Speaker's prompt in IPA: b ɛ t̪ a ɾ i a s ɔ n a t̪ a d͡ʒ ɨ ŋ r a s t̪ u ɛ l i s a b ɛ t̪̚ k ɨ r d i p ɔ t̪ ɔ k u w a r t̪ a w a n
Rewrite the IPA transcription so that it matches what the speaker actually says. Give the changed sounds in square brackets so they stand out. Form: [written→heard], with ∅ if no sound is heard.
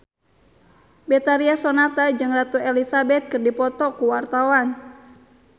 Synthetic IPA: b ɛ t̪ a ɾ i a s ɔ n a t̪ a d͡ʒ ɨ ŋ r a [s→∅] t̪ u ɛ l i s a b ɛ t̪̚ k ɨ r d i p ɔ t̪ ɔ k u w a r t̪ a w a n